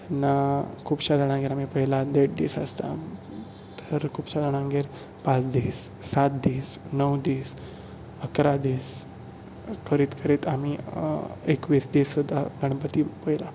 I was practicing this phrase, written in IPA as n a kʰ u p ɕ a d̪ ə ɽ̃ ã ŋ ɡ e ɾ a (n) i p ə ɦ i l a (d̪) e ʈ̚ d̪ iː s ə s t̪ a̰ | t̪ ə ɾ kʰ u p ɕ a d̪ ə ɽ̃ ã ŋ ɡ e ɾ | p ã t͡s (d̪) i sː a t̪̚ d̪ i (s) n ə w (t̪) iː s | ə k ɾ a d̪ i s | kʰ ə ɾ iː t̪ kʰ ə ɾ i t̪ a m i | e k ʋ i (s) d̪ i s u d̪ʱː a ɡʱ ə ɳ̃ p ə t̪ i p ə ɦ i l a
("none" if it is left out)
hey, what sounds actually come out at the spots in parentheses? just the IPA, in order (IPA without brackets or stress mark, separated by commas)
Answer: m, d̪, d̪, s, d̪, s